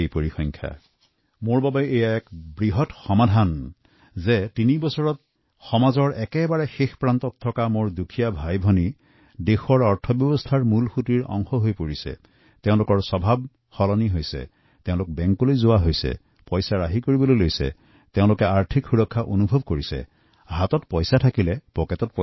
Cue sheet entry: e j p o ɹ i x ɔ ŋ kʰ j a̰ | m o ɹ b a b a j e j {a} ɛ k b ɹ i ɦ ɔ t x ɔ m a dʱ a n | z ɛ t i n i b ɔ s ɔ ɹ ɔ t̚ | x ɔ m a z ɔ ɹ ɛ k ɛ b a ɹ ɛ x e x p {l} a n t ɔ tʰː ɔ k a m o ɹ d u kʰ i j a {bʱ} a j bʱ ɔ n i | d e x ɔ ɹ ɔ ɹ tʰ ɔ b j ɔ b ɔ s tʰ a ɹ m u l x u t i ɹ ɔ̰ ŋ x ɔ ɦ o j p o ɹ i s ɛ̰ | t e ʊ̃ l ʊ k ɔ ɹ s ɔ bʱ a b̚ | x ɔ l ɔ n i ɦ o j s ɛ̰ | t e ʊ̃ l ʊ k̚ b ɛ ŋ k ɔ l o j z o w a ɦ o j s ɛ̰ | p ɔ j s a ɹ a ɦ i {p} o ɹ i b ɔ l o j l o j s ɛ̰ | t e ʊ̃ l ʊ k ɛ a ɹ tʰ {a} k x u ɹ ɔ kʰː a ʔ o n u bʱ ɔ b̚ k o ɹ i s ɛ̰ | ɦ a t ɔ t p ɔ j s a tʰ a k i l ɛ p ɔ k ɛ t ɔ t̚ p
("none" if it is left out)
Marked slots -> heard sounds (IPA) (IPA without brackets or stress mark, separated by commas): a, ɹ, bʱ, k, i